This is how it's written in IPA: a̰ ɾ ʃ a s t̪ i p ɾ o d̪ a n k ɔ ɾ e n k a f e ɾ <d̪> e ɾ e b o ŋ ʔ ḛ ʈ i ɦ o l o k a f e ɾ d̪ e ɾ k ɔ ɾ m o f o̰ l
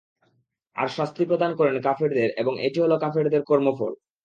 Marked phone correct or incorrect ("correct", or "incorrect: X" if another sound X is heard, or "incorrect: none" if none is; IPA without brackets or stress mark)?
correct